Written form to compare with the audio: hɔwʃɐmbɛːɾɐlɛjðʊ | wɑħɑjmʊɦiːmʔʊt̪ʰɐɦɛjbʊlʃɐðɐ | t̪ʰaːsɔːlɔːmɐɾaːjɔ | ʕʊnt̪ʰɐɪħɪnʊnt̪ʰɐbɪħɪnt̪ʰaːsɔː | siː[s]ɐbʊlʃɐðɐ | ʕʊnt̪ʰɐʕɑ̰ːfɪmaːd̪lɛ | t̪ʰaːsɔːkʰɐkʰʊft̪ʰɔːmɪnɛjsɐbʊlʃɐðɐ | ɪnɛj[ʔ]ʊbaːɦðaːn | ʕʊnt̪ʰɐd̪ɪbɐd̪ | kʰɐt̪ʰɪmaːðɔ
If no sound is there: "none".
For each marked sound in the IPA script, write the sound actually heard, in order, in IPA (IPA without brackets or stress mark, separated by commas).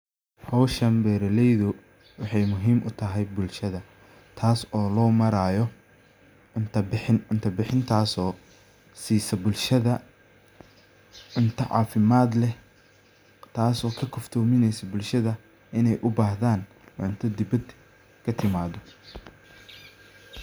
s, ʔ